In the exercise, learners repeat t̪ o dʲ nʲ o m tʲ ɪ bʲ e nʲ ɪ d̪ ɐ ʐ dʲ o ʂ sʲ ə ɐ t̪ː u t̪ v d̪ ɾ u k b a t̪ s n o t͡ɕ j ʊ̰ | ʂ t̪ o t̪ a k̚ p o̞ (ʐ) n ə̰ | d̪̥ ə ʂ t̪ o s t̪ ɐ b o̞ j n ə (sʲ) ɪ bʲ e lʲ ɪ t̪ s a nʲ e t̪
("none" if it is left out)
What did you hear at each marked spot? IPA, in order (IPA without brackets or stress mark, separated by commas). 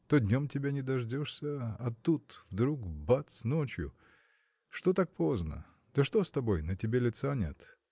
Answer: z, tʲ